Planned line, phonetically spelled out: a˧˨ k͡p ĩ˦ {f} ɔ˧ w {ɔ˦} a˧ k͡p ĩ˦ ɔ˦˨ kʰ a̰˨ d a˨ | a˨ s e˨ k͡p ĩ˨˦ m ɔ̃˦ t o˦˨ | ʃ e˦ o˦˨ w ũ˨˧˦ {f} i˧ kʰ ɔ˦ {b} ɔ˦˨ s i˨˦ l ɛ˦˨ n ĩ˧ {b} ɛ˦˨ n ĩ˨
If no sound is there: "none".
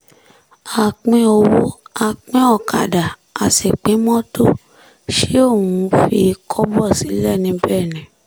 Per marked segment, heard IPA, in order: none, o˦, f, b, b

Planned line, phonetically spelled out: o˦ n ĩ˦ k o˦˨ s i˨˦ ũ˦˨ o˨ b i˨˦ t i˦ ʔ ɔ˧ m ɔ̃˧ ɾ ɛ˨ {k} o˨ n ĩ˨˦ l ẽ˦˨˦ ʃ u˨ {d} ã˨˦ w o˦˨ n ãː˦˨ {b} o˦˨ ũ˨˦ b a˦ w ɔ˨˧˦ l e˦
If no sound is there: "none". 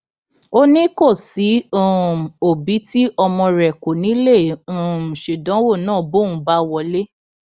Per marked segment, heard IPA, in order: k, d, b

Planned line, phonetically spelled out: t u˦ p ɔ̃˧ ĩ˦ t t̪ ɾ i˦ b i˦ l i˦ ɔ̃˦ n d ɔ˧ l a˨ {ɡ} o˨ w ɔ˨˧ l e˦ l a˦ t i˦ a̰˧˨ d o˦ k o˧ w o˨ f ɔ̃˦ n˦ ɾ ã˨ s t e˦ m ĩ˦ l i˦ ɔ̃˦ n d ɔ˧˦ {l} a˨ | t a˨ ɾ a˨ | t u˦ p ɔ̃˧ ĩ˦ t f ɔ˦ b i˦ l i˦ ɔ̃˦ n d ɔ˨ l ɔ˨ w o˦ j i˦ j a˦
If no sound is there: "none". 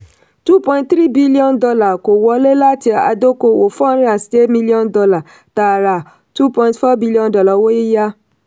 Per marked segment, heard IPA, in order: k, l

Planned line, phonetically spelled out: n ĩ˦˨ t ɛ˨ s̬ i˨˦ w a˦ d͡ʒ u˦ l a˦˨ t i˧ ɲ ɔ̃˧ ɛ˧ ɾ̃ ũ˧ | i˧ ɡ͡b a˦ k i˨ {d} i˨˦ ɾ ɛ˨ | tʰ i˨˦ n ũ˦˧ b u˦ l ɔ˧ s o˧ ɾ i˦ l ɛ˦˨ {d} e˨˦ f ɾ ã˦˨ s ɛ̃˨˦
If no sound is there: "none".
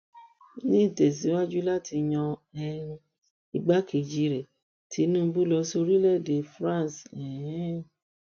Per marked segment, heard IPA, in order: d͡ʒ, d

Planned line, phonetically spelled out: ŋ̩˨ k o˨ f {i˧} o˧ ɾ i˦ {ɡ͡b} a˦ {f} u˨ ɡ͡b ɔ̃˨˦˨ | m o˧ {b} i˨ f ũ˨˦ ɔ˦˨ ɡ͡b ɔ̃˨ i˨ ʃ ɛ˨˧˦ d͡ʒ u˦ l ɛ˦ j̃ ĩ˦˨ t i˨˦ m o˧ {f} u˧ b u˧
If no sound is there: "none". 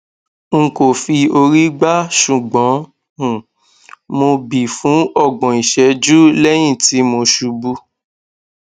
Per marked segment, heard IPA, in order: i˧, ɡ͡b, ʃ, b, ʃ

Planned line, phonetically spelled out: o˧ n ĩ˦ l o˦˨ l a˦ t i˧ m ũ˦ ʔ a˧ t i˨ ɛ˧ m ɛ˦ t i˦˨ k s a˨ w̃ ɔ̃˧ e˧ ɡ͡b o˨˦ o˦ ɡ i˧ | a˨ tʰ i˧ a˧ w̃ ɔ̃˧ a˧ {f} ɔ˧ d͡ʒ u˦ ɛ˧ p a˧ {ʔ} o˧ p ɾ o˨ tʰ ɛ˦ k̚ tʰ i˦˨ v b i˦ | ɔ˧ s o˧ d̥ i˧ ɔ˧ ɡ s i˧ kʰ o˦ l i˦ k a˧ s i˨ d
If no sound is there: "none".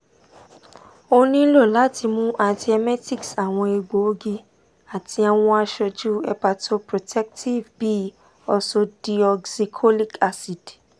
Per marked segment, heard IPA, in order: ʃ, t

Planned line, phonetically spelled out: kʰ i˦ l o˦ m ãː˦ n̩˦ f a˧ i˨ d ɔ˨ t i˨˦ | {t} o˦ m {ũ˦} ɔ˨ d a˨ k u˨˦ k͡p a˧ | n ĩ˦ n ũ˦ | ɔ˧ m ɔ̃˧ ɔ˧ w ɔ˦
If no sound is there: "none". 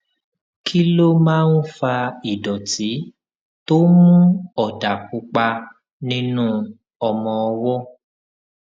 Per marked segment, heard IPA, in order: t, ũ˦

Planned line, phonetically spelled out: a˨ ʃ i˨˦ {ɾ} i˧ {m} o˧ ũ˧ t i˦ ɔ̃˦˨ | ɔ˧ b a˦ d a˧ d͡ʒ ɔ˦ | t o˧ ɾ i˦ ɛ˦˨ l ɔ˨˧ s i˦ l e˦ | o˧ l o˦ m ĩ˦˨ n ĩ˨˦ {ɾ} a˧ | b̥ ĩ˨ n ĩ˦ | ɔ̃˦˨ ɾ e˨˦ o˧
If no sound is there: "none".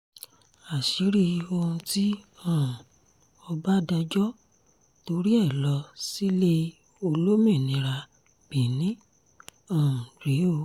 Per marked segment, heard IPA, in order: ɾ, none, ɾ

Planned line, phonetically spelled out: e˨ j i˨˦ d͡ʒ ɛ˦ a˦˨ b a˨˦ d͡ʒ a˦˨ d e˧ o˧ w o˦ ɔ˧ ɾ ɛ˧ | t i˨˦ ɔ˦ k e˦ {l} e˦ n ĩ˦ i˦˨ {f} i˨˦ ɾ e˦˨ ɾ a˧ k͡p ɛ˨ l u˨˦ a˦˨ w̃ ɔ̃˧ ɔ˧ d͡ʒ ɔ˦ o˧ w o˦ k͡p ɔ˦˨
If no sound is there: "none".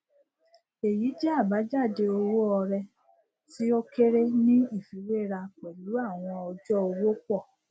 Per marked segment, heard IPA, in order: ɾ, f

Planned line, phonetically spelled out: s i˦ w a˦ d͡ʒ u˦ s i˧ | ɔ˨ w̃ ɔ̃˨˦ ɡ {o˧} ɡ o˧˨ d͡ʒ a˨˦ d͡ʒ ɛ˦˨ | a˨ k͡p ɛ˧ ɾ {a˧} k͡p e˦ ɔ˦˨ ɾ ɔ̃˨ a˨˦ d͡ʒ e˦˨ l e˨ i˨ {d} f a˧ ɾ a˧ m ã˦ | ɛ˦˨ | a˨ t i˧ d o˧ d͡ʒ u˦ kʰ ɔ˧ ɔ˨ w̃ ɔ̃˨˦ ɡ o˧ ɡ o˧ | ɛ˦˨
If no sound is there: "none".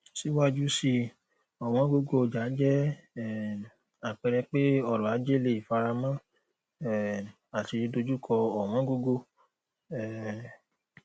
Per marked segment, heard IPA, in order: o˧, ɛ˧, none

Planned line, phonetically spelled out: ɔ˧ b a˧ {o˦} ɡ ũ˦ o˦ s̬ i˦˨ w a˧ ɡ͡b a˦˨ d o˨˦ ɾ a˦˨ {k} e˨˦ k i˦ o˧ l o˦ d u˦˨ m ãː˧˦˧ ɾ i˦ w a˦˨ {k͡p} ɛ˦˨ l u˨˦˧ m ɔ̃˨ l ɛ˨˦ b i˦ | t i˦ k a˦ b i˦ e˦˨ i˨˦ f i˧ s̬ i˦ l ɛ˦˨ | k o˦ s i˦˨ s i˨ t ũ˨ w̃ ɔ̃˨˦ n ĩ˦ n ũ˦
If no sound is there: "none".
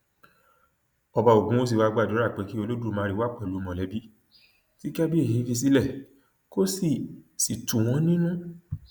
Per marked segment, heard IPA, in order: o˨, k͡p, k͡p

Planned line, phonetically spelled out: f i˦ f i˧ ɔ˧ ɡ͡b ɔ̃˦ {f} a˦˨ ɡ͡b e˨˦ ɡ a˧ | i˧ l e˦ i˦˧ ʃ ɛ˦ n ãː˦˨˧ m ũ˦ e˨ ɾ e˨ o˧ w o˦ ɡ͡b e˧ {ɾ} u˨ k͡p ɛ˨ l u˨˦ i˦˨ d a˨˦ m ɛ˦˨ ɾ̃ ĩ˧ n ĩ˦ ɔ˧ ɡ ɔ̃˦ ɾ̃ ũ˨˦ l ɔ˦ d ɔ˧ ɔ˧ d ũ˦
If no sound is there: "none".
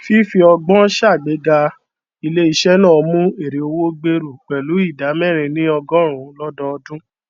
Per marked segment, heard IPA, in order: ʃ, ɾ

